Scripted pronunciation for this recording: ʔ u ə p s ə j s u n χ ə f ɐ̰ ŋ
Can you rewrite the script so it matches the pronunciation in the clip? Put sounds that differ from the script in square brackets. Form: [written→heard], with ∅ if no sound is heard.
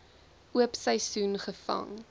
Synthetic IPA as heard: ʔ u ə p s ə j s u n χ ə f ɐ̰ ŋ